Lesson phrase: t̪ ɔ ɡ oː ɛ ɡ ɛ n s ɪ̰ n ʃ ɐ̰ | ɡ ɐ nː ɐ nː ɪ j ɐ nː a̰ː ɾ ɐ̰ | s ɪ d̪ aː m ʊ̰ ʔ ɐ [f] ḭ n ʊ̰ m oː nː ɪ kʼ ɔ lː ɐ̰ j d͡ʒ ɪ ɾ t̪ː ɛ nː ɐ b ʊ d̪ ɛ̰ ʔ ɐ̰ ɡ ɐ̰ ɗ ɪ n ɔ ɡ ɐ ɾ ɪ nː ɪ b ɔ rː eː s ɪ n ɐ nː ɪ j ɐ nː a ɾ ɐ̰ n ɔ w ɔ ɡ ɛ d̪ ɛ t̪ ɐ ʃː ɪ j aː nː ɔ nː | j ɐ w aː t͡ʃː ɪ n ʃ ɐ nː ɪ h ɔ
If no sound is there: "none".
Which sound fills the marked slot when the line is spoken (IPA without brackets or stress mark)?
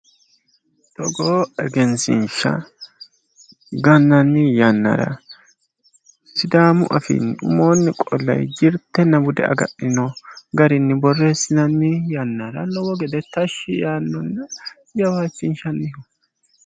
f